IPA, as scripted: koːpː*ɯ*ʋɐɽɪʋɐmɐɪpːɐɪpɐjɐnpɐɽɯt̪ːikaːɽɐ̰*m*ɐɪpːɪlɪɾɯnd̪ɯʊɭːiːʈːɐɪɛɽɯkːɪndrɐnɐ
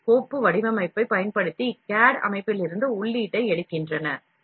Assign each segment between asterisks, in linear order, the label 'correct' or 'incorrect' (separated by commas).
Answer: correct, correct